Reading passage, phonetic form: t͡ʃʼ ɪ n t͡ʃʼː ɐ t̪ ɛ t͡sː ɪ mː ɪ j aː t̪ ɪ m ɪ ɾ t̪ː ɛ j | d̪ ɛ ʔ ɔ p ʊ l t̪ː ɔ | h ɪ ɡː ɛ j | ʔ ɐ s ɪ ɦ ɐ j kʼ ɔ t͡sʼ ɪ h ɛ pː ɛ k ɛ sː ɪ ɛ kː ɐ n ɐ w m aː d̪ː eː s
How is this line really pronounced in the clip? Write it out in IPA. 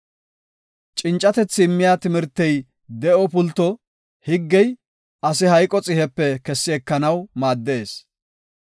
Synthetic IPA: t͡ʃʼ ɪ n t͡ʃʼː ɐ t̪ ɛ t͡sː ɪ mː ɪ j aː t̪ ɪ m ɪ ɾ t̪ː ɛ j | d̪ ɛ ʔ ɔ p ʊ l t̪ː ɔ | h ɪ ɡː ɛ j | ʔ ɐ s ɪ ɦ ɐ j kʼ ɔ t͡sʼ ɪ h ɛ pː ɛ k ɛ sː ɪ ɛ kː ɐ n ɐ w m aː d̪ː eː s